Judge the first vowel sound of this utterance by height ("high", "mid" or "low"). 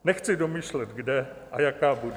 mid